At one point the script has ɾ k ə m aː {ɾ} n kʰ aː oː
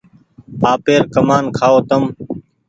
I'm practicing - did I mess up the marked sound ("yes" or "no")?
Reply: yes